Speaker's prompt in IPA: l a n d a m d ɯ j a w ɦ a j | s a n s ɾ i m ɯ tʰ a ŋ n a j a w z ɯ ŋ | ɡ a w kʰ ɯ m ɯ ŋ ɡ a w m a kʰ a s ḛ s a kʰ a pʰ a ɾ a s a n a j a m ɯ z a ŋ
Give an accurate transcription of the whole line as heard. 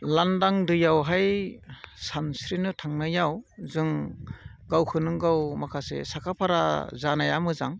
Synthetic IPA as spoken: l a n d a ŋ d ɯ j a w ɦ a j | s a n s ɾ i n ɯ tʰ a ŋ n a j a w z ɯ ŋ | ɡ a w kʰ ɯ n ɯ ŋ ɡ a w m a kʰ a s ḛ s a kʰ a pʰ a ɾ a z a n a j a m ɯ z a ŋ